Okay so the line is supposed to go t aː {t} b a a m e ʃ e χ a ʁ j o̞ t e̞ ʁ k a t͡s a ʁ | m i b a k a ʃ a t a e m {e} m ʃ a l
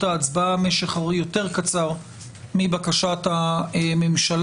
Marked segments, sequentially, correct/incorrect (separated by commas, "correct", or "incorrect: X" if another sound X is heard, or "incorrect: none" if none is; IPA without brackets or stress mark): incorrect: t͡s, correct